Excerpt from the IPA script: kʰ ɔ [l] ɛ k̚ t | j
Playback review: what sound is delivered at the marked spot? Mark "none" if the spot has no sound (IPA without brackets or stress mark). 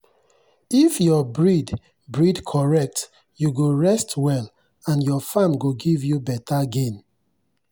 ɹ